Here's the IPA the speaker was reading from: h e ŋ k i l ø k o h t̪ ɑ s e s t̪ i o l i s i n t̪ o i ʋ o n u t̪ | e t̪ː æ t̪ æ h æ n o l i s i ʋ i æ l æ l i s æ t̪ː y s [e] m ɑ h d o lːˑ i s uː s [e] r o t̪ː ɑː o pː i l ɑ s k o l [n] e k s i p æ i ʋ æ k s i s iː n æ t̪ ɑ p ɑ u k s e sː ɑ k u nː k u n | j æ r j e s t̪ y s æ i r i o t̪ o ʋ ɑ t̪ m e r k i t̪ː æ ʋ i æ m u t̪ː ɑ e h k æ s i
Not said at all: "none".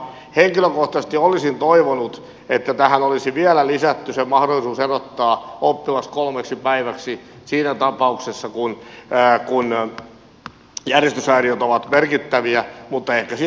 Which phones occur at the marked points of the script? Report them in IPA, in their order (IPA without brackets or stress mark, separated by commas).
e, e, m